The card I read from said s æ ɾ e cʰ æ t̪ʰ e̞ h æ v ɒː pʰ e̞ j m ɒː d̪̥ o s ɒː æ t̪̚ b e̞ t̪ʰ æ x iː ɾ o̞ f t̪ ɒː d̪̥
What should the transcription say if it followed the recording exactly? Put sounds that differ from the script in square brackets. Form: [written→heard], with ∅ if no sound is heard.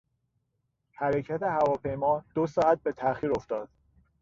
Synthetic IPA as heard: [s→h] æ ɾ e cʰ æ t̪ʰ e̞ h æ v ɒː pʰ e̞ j m ɒː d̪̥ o s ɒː æ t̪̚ b e̞ t̪ʰ æ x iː ɾ o̞ f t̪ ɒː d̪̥